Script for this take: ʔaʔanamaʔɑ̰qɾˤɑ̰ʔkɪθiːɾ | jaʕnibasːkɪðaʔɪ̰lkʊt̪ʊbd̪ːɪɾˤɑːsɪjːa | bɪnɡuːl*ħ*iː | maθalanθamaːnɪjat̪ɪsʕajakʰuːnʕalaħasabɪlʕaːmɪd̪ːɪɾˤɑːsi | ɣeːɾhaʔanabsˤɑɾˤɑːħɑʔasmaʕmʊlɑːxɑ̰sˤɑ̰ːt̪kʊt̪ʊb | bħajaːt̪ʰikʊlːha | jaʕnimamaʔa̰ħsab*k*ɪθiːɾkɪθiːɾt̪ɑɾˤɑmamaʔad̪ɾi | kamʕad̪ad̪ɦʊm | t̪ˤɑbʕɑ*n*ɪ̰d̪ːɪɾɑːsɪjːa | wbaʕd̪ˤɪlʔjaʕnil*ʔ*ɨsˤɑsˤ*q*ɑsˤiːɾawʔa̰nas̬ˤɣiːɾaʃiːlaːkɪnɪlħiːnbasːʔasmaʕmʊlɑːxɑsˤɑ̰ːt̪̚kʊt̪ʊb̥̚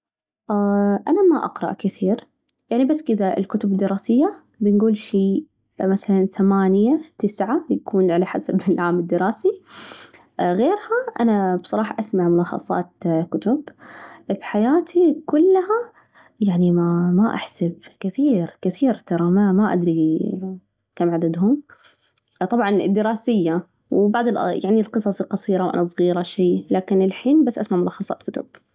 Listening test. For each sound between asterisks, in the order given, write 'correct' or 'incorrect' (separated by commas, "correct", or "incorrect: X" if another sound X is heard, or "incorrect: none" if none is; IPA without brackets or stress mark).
incorrect: ʃ, correct, correct, incorrect: q, correct